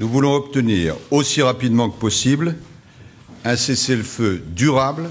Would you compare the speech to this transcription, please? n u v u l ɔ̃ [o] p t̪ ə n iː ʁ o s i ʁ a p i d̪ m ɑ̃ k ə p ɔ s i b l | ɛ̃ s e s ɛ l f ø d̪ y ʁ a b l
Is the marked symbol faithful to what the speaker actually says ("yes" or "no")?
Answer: no